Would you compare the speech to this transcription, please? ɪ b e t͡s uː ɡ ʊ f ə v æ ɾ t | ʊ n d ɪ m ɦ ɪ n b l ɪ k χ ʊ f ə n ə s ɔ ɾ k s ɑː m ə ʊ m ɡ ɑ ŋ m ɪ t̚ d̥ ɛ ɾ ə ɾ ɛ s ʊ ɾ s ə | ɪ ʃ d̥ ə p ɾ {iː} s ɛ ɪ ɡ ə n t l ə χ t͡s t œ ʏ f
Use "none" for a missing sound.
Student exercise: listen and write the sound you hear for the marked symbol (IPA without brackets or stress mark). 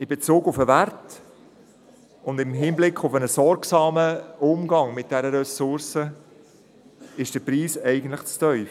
iː